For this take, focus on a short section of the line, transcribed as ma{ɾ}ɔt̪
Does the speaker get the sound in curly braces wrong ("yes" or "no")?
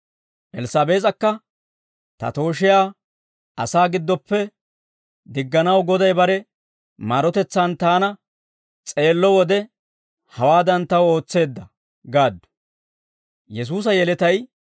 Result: no